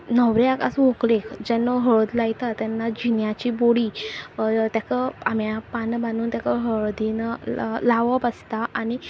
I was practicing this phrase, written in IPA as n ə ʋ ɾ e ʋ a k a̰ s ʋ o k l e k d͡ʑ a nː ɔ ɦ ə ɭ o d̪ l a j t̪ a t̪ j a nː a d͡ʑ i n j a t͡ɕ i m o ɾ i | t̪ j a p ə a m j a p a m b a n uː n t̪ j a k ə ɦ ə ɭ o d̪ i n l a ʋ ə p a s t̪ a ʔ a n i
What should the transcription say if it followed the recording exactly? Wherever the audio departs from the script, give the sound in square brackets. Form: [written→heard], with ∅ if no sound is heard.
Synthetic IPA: n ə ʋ ɾ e [ʋ→∅] a k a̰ s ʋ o k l e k d͡ʑ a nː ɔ ɦ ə ɭ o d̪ l a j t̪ a t̪ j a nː a d͡ʑ i n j a t͡ɕ i [m→b] o [ɾ→ɽ] i | t̪ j a [p→k] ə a m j a p a [m→n] b a n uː n t̪ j a k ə ɦ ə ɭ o d̪ i n l a ʋ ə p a s t̪ a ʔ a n i